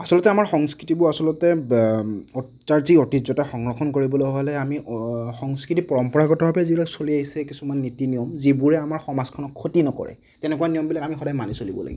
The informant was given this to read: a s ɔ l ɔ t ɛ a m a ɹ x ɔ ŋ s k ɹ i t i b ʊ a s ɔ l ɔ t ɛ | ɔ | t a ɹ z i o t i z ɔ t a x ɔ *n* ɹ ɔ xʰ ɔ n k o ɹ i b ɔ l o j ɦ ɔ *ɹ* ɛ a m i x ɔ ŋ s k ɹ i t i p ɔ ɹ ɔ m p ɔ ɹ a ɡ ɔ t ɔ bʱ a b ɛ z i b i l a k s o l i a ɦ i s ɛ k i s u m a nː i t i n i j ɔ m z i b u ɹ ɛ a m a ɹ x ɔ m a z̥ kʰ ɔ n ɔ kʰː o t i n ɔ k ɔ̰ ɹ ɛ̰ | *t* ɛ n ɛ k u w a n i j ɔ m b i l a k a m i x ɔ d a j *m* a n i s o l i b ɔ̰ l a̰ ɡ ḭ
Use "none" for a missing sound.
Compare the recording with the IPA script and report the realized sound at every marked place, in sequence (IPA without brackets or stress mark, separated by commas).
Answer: ŋ, l, t, m